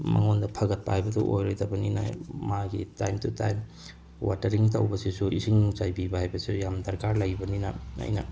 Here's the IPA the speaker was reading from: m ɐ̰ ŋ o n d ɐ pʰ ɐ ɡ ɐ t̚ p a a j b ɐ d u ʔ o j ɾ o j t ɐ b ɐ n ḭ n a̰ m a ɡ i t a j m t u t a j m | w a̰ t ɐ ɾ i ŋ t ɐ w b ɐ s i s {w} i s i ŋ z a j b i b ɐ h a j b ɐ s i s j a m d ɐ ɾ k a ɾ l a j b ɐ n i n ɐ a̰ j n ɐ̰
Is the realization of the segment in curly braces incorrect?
yes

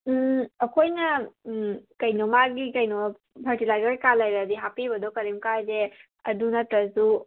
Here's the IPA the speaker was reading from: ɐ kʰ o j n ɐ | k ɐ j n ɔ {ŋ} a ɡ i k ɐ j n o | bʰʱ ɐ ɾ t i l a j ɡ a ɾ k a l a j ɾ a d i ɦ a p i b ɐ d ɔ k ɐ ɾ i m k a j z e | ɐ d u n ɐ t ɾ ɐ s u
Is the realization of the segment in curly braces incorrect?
yes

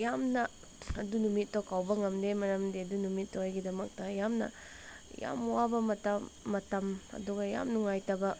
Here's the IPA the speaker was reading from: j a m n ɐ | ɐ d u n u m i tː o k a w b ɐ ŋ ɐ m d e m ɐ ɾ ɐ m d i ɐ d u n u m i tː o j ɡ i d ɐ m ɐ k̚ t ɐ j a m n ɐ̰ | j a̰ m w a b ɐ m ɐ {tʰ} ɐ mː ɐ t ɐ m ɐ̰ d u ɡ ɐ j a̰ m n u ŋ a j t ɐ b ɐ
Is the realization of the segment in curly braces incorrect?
yes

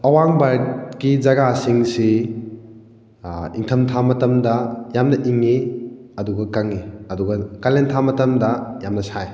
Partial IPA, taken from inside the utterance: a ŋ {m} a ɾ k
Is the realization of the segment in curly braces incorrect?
yes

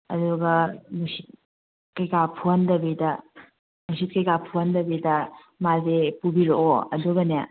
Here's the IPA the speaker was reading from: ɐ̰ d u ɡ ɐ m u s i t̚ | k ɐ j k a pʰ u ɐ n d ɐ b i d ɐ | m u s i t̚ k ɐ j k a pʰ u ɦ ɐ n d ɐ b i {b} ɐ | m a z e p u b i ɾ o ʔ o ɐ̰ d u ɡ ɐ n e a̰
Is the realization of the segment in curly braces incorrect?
yes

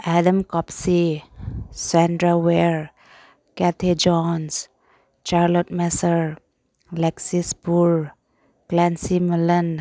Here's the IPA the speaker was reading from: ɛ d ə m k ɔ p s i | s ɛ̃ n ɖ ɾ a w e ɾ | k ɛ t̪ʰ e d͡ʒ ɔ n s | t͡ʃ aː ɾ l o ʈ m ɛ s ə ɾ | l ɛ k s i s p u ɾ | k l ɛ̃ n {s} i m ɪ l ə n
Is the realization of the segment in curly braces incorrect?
no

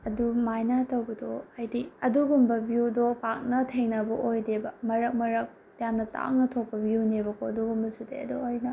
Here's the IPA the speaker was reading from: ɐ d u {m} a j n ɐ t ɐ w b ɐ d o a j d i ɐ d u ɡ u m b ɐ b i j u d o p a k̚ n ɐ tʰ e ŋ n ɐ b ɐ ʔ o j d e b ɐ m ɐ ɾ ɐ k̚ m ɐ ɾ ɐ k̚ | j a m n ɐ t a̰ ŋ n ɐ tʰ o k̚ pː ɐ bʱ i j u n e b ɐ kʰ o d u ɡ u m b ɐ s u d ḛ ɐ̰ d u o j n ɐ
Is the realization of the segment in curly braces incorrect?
no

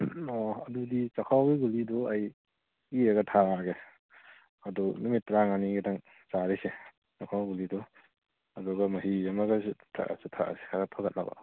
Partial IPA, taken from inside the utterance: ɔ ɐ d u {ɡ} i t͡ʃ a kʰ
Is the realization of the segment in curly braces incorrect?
yes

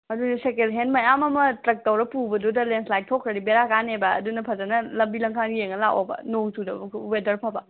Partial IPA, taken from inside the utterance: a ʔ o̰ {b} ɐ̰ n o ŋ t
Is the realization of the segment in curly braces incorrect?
no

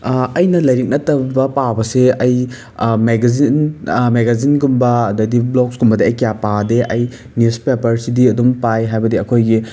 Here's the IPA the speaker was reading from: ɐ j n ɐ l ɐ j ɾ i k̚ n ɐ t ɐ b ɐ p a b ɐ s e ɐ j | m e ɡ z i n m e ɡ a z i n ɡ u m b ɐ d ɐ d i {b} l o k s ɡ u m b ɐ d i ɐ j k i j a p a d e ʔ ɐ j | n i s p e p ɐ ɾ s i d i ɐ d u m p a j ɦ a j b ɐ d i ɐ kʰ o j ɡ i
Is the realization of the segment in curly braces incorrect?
no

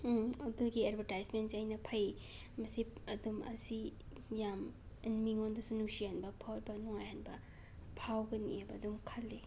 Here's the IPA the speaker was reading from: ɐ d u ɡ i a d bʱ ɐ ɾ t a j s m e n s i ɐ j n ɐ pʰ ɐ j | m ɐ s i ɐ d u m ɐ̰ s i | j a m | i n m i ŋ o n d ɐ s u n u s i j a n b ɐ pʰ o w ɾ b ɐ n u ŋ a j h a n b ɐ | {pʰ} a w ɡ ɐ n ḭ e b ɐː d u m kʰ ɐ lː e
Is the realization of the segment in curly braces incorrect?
no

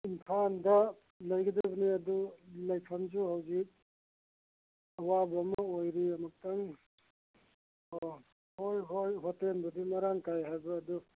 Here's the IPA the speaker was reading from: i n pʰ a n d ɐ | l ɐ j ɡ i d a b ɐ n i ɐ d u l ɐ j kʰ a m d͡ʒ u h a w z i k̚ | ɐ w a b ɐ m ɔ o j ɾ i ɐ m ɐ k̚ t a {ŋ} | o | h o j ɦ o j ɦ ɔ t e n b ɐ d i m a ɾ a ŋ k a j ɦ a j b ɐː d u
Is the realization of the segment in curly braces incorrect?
no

